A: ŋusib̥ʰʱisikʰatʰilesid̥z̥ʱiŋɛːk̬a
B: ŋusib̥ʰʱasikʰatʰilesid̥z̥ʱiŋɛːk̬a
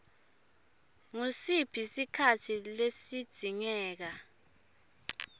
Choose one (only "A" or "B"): A